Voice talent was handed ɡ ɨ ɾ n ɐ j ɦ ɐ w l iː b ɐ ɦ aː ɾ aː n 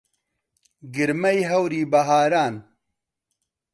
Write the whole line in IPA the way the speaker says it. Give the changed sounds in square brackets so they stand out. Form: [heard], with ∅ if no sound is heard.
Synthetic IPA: ɡ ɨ ɾ [m] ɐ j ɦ ɐ w [ɾ] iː b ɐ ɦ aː ɾ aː n